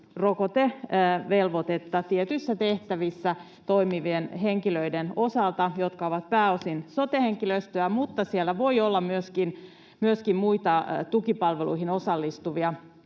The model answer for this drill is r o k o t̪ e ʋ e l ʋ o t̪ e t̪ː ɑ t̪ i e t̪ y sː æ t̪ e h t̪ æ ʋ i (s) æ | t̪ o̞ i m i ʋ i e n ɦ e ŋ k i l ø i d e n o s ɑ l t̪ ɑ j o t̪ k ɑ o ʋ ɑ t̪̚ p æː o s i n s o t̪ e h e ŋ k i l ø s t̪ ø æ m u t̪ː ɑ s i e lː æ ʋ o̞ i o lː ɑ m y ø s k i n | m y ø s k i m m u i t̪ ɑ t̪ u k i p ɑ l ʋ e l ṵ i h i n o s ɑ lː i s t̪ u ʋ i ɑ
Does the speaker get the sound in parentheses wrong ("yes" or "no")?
yes